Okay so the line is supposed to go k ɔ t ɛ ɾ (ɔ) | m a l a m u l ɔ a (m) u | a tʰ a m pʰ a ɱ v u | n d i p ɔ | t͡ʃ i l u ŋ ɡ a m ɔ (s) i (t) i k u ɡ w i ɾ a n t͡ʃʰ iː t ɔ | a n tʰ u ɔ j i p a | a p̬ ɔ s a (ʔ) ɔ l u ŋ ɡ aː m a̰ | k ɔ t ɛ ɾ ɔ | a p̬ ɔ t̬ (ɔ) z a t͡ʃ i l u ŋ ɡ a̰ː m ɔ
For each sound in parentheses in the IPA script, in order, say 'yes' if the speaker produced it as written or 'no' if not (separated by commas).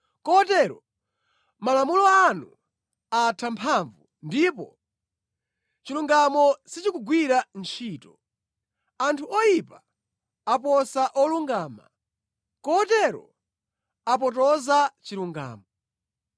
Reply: yes, no, yes, no, yes, yes